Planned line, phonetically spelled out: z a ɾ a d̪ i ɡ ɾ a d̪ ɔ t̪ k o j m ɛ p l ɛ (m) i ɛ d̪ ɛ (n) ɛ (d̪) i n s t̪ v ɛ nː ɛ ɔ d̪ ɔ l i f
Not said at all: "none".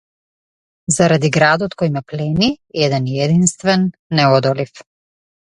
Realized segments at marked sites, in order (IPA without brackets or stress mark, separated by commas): n, n, d̪